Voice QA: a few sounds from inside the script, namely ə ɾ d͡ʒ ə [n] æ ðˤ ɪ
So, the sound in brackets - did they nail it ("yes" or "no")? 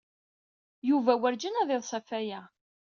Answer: yes